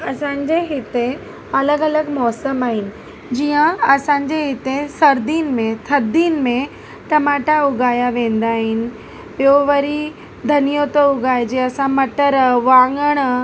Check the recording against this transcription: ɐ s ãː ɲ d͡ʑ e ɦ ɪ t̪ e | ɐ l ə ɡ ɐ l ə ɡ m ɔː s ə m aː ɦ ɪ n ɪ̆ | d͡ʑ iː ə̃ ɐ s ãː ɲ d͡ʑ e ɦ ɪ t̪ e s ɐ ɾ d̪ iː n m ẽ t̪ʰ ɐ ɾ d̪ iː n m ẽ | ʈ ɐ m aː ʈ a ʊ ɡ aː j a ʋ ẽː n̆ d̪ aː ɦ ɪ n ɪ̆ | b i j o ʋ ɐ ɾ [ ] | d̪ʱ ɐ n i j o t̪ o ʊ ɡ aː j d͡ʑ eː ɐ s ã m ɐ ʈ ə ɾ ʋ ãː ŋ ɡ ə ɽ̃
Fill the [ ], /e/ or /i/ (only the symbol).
i